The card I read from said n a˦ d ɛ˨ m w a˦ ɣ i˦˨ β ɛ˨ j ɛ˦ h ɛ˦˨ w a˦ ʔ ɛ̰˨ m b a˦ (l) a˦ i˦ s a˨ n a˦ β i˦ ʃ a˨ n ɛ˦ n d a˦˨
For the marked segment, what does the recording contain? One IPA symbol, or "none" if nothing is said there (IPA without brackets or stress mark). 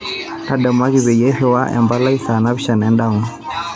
l